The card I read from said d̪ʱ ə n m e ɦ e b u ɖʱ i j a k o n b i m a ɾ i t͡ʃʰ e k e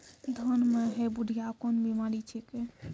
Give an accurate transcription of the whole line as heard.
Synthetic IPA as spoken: d̪ʱ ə n m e ɦ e b u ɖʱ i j a k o n b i m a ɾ i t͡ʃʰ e k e